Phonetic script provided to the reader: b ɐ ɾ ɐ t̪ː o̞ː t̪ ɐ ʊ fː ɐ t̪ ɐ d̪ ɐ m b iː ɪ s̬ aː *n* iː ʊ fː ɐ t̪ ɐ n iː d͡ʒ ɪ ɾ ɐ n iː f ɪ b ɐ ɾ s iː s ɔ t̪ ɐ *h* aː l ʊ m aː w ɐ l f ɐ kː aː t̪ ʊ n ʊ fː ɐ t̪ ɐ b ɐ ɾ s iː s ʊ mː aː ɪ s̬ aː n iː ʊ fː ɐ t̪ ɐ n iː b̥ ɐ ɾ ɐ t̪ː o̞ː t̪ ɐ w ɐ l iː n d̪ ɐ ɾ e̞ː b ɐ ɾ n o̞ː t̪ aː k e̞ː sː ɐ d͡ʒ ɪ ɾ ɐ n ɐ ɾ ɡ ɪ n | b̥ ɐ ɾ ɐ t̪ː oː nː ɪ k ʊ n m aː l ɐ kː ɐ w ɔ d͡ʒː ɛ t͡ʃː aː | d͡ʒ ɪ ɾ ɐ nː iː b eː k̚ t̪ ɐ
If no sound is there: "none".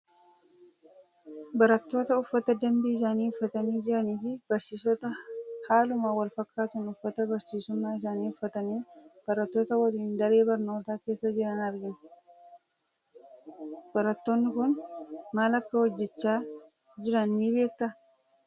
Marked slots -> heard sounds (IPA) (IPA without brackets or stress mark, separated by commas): n, h